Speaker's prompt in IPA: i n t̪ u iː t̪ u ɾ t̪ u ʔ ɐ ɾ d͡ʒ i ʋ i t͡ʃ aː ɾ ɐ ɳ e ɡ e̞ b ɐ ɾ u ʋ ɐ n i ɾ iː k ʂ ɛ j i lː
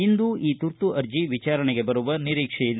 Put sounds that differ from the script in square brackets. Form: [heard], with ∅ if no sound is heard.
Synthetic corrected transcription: i n [d̪] u iː t̪ u ɾ t̪ u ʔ ɐ ɾ d͡ʒ i ʋ i t͡ʃ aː ɾ ɐ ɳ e ɡ e̞ b ɐ ɾ u ʋ ɐ n i ɾ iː k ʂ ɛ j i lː

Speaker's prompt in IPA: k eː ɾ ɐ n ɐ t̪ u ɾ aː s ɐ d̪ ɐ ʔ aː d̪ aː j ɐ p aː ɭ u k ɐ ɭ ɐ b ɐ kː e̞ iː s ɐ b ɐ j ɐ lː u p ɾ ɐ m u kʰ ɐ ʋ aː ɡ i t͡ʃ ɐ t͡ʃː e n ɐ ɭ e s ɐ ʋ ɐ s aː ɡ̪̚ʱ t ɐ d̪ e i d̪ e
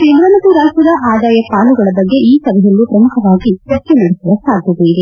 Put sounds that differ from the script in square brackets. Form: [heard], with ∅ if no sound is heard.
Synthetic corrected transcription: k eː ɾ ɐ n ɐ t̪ u ɾ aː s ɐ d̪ ɐ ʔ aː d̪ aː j ɐ p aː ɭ u [ɡ] ɐ ɭ ɐ b ɐ [ɡː] e̞ iː s ɐ b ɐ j ɐ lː u p ɾ ɐ m u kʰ ɐ ʋ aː ɡ i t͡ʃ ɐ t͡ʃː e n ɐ [ɽ] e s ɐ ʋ ɐ s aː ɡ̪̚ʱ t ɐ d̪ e i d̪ e

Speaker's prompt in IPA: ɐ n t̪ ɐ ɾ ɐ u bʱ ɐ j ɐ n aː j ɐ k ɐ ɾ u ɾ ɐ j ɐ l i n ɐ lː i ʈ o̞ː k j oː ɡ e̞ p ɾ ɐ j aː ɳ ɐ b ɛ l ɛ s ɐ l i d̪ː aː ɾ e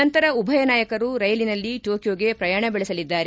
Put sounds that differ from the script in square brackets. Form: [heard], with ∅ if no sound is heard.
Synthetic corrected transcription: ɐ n t̪ ɐ ɾ ɐ u bʱ ɐ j ɐ n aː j ɐ k ɐ ɾ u ɾ ɐ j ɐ l i n ɐ lː i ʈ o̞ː k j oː ɡ e̞ p ɾ ɐ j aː ɳ ɐ b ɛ [ɭ] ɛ s ɐ l i d̪ː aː ɾ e

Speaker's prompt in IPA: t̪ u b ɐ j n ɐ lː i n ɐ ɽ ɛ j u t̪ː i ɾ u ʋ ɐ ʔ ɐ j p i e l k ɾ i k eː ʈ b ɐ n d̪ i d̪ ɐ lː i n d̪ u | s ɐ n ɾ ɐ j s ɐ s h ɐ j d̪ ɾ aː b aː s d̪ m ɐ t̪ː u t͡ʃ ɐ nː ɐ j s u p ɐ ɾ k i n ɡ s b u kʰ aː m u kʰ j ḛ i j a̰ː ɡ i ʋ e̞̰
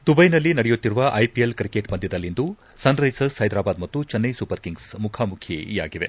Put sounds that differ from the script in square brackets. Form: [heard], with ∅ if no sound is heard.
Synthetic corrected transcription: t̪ u b ɐ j n ɐ lː i n ɐ ɽ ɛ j u t̪ː i ɾ u ʋ ɐ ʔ ɐ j p i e l k ɾ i k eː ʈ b ɐ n d̪ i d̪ ɐ lː i n d̪ u | s ɐ n ɾ ɐ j s ɐ s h ɐ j d̪ ɾ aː b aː [∅] d̪ m ɐ t̪ː u t͡ʃ ɐ nː ɐ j s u p ɐ ɾ k i [ŋ] ɡ s [m] u kʰ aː m u kʰ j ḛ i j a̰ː ɡ i ʋ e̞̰

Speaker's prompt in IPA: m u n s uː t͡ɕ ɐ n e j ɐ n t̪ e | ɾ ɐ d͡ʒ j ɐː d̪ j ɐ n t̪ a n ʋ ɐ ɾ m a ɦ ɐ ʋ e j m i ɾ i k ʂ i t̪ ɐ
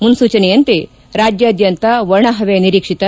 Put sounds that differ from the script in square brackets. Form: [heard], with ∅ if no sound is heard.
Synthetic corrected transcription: m u n s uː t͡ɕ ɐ n e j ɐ n t̪ e | ɾ [a] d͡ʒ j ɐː d̪ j ɐ n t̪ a [∅] ʋ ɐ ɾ [ɳ] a ɦ ɐ ʋ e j [n] i ɾ i k ʂ i t̪ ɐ

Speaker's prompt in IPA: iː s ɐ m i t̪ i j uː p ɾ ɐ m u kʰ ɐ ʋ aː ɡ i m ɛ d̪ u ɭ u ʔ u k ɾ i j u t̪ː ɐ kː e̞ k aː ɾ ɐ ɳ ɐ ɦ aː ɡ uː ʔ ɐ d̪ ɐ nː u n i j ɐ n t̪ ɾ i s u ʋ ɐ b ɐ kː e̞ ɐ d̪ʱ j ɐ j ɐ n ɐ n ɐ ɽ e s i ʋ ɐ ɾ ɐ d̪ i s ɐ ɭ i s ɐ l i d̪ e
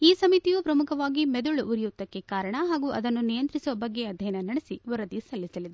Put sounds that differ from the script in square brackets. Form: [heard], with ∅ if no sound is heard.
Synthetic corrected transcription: iː s ɐ m i t̪ i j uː p ɾ ɐ m u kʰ ɐ ʋ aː ɡ i m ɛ d̪ u ɭ u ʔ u [∅] ɾ i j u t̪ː ɐ kː e̞ k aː ɾ ɐ ɳ ɐ ɦ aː ɡ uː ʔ ɐ d̪ ɐ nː u n i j ɐ n t̪ ɾ i s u ʋ ɐ b ɐ [ɡː] e̞ ɐ d̪ʱ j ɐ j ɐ n ɐ n ɐ ɽ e s i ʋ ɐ ɾ ɐ d̪ i s ɐ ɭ i s ɐ l i d̪ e

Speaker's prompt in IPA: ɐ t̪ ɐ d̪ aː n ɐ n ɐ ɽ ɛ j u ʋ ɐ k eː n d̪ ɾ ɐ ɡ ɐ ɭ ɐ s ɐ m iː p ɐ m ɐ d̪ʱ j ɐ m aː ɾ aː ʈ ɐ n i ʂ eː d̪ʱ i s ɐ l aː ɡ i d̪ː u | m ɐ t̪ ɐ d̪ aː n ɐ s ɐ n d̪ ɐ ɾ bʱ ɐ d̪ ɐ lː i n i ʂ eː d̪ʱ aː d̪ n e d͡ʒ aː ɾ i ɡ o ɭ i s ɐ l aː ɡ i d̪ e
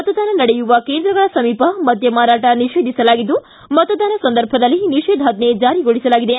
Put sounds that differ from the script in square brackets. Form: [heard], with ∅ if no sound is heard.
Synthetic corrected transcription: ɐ t̪ ɐ d̪ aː n ɐ n ɐ ɽ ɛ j u ʋ ɐ k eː n d̪ ɾ ɐ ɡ ɐ ɭ ɐ s ɐ m iː p ɐ m ɐ d̪ʱ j ɐ m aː ɾ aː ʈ ɐ n i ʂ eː d̪ʱ i s ɐ l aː ɡ i d̪ː u | m ɐ t̪ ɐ d̪ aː n ɐ s ɐ n d̪ ɐ ɾ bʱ ɐ d̪ ɐ lː i n i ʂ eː d̪ʱ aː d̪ n e d͡ʒ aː ɾ i ɡ o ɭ i s ɐ l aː ɡ i d̪ e

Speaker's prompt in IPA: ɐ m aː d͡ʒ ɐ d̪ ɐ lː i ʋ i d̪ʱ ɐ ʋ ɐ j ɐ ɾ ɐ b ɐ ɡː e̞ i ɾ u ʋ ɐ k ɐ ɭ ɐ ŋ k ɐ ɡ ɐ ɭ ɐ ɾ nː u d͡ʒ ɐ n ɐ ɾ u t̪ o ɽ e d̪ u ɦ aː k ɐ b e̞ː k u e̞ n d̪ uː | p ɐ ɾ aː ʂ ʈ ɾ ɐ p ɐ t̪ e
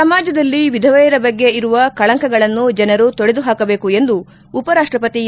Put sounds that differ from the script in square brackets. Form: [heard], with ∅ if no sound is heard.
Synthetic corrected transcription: ɐ m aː d͡ʒ ɐ d̪ ɐ lː i ʋ i d̪ʱ ɐ ʋ ɐ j ɐ ɾ ɐ b ɐ ɡː e̞ i ɾ u ʋ ɐ k ɐ ɭ ɐ ŋ k ɐ ɡ ɐ ɭ ɐ [∅] nː u d͡ʒ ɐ n ɐ ɾ u t̪ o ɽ e d̪ u ɦ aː k ɐ b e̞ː k u e̞ n d̪ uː | p ɐ ɾ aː ʂ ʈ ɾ ɐ p ɐ t̪ [i]

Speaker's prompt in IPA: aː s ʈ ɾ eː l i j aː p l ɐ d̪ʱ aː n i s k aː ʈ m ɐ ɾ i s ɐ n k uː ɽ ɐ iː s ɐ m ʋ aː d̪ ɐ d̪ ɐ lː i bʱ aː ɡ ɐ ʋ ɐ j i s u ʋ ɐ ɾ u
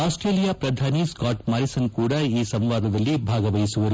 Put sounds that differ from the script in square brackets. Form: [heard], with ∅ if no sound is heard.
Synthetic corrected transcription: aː s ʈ ɾ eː l i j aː p [ɾ] ɐ d̪ʱ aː n i s k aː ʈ m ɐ ɾ i s ɐ n k uː ɽ ɐ iː s ɐ m ʋ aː d̪ ɐ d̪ ɐ lː i bʱ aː ɡ ɐ ʋ ɐ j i s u ʋ ɐ ɾ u

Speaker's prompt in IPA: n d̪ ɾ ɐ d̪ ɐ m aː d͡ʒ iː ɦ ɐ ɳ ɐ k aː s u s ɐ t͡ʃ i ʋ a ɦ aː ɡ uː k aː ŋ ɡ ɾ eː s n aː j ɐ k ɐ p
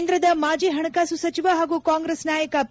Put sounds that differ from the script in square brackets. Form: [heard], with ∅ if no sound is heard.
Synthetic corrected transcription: n d̪ ɾ ɐ d̪ ɐ m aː d͡ʒ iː ɦ ɐ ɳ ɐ k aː s u s ɐ t͡ʃ i ʋ a ɦ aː ɡ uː k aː ŋ ɡ ɾ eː s n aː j ɐ k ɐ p

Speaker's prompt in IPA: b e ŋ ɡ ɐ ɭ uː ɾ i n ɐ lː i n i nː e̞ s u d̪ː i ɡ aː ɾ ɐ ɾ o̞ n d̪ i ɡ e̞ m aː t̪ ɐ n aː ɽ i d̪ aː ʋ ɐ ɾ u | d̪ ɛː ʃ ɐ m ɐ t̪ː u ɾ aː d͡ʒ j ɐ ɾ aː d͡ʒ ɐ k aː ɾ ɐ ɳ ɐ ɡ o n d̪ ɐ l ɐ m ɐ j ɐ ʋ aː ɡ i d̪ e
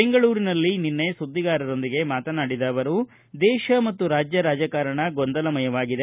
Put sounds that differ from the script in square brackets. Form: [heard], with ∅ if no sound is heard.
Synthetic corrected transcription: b e ŋ ɡ ɐ ɭ uː ɾ i n ɐ lː i n i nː e̞ s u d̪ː i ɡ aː ɾ ɐ ɾ o̞ n d̪ i ɡ e̞ m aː t̪ ɐ n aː ɽ i d̪ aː ʋ ɐ ɾ u | d̪ ɛː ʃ ɐ m ɐ t̪ː u ɾ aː d͡ʒ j ɐ ɾ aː d͡ʒ ɐ k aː ɾ ɐ ɳ ɐ ɡ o n d̪ ɐ l ɐ m ɐ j ɐ ʋ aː ɡ i d̪ e

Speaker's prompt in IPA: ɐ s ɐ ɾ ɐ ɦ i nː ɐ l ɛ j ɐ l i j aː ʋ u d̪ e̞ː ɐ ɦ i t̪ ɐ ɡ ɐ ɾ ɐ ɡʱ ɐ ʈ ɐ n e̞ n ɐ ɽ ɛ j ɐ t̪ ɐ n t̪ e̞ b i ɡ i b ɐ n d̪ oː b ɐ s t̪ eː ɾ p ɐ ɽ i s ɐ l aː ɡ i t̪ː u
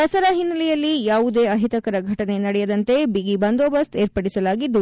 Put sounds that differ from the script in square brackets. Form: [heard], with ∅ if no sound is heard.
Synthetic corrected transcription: ɐ s ɐ ɾ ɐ ɦ i nː ɐ l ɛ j ɐ [lː] i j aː ʋ u d̪ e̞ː ɐ ɦ i t̪ ɐ [k] ɐ ɾ ɐ ɡʱ ɐ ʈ ɐ n e̞ n ɐ ɽ ɛ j ɐ [d̪] ɐ n t̪ e̞ b i ɡ i b ɐ n d̪ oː b ɐ s t̪ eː ɾ p ɐ ɽ i s ɐ l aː ɡ i [d̪ː] u

